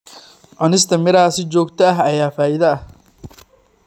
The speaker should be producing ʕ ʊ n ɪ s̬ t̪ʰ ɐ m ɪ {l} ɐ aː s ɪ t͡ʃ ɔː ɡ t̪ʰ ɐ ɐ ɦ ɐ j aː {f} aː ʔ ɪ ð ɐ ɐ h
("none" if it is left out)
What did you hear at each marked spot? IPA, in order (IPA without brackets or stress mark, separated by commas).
ɾ, f